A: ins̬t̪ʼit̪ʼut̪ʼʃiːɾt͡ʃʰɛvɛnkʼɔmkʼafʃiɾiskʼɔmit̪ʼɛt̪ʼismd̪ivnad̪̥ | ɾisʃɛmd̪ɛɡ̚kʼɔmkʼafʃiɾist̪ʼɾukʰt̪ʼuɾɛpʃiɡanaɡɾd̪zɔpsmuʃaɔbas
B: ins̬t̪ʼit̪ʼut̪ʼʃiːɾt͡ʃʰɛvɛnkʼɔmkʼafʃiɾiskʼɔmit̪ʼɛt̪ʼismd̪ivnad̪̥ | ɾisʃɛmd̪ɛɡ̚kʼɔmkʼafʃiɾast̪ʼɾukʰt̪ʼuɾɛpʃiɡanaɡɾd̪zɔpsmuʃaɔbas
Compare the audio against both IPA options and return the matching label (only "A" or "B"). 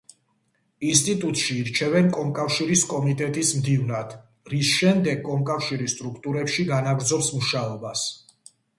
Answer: A